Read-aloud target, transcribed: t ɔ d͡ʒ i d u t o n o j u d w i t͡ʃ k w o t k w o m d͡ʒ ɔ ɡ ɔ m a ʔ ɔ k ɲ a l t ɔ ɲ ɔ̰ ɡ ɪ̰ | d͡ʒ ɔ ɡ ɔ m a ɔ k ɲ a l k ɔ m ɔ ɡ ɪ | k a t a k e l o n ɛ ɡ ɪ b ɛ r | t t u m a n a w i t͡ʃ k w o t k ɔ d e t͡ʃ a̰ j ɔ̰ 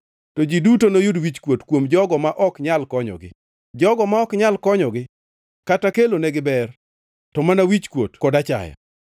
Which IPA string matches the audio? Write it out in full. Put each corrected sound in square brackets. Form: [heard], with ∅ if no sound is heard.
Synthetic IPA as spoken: t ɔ d͡ʒ i d u t o n o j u d w i t͡ʃ k w o t k w o m d͡ʒ ɔ ɡ ɔ m a ʔ ɔ k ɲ a l [k] ɔ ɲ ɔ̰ ɡ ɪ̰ | d͡ʒ ɔ ɡ ɔ m a ɔ k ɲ a l k ɔ [ɲ] ɔ ɡ ɪ | k a t a k e l o n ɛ ɡ ɪ b ɛ r | t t [ɔ] m a n a w i t͡ʃ k w o t k ɔ d [a] t͡ʃ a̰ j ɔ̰